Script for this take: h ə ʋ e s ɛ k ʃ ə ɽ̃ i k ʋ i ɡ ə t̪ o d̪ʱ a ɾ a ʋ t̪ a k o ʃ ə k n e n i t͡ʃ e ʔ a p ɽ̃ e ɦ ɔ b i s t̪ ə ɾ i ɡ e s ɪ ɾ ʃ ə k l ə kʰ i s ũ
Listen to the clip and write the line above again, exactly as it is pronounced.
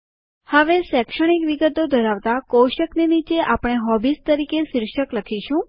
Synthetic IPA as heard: h ə ʋ e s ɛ k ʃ ə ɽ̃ i k ʋ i ɡ ə t̪ o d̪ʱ ə ɾ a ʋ t̪ a k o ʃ ə k n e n i t͡ʃ e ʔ a p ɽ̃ e ɦ ɔ b i s t̪ ə ɾ i k e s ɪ ɾ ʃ ə k l ə kʰ i ʃ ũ